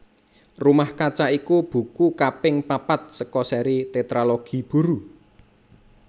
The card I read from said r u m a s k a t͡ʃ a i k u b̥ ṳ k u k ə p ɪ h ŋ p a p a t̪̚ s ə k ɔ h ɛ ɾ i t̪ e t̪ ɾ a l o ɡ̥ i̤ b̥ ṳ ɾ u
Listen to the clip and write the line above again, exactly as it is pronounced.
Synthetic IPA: r u m a h k a t͡ʃ a i k u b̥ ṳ k u k a p ɪ ŋ p a p a t̪̚ s ə k ɔ s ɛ ɾ i t̪ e t̪ ɾ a l o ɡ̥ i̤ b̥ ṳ ɾ u

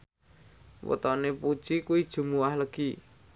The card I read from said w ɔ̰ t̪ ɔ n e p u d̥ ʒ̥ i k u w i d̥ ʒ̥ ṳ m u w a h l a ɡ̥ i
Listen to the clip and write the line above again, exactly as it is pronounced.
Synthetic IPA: w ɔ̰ t̪ ɔ n e p u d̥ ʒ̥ i k u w i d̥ ʒ̥ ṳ m u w a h l ə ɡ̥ i

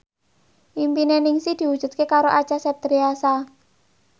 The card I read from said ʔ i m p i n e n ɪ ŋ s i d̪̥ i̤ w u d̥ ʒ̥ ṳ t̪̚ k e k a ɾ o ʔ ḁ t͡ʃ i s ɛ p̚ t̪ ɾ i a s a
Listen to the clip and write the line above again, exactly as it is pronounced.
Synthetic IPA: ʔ i m p i n e n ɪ ŋ s i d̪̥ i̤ w u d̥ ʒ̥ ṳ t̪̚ k e k a ɾ o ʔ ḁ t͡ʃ a s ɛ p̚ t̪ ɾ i a s a

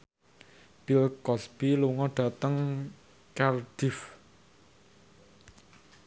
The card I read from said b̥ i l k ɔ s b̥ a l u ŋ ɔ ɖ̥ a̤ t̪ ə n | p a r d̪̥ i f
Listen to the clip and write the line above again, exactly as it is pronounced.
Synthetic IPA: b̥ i l k ɔ s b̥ i l u ŋ ɔ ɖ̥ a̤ t̪ ə ŋ | k a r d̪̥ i f

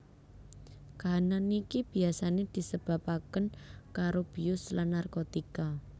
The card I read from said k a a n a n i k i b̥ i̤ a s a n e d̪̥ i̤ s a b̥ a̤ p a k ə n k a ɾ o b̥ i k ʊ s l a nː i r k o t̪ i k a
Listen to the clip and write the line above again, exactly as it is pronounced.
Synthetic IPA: k a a n a n i k i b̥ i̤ a s a n e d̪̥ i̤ s ə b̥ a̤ p a k ə n k a ɾ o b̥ i ʊ s l a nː a r k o t̪ i k a

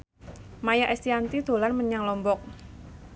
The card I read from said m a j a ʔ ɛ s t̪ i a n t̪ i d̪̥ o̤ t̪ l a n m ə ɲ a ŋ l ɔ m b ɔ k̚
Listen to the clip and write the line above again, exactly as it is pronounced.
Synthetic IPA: m a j a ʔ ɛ s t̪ i a n t̪ i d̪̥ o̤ l a n m ə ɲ a ŋ l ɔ m b ɔ k̚

